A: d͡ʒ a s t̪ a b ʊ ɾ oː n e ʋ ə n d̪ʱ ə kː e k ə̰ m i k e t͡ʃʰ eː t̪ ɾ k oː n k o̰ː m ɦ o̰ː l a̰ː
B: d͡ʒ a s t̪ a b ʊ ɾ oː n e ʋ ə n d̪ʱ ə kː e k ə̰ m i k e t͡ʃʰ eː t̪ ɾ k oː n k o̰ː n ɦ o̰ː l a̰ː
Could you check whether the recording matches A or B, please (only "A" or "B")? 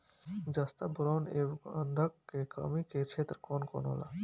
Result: B